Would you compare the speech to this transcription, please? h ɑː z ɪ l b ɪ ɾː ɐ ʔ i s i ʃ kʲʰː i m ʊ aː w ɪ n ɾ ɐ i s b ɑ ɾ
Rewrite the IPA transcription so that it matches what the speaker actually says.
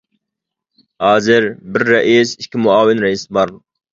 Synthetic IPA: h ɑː z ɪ ɾ b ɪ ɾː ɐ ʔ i s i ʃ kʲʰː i m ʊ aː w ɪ n ɾ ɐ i s b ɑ ɾ